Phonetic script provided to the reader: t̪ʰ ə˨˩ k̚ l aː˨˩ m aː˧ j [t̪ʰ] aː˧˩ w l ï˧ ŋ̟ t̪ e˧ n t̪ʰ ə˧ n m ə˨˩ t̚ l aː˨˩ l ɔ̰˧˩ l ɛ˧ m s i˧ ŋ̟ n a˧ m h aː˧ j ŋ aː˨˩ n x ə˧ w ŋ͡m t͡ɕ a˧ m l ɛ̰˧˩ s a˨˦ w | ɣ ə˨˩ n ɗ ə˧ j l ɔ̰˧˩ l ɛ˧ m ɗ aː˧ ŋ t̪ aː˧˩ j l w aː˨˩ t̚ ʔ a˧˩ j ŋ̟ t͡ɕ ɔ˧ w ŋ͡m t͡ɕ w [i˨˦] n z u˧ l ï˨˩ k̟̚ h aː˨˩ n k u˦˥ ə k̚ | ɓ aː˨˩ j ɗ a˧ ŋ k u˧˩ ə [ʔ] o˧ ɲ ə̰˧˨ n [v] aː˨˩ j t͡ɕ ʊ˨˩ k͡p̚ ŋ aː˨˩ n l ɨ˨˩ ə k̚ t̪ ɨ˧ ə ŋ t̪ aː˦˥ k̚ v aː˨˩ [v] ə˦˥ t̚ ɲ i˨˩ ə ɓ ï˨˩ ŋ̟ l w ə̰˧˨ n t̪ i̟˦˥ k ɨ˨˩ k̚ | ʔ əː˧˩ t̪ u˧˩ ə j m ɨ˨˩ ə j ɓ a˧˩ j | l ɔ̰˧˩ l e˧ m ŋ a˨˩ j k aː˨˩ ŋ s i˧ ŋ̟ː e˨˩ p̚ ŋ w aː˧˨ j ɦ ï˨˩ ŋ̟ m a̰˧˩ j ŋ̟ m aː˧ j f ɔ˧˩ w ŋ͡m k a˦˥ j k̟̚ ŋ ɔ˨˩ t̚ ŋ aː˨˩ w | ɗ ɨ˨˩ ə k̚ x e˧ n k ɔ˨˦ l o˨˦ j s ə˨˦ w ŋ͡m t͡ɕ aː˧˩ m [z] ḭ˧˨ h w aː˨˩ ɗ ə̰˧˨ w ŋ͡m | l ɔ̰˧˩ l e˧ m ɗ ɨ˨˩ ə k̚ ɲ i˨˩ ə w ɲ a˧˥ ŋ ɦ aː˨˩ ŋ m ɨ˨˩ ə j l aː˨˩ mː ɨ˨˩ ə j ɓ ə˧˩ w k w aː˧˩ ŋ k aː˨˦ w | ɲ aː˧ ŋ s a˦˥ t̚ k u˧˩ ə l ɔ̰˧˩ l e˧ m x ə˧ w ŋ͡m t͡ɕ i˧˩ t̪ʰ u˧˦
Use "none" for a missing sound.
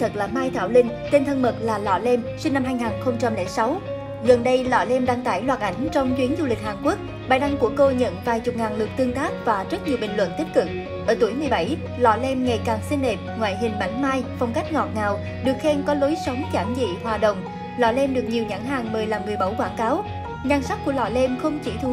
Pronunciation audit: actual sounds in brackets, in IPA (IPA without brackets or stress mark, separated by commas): t̪ʰ, i˨˦, k, v, z, z